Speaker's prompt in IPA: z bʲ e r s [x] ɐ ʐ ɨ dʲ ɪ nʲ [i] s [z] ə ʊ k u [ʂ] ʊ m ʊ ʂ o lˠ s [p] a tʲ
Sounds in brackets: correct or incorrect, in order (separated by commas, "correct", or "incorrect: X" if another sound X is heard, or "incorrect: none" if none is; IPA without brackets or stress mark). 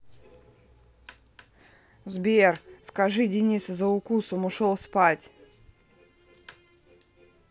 incorrect: k, correct, correct, incorrect: s, correct